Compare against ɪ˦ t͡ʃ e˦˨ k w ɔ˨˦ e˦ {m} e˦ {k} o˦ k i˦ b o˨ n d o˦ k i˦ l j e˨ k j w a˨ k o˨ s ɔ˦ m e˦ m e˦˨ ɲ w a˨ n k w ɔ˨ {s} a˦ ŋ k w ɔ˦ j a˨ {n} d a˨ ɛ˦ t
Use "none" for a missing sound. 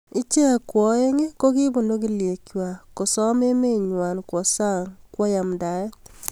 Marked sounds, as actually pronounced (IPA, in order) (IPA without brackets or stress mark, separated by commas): ŋ, k, s, m